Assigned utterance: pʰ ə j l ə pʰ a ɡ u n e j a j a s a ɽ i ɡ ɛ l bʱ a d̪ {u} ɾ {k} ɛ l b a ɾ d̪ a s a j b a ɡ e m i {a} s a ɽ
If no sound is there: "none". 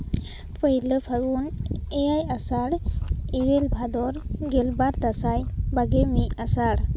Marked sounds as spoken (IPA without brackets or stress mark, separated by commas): ɔ, ɡ, a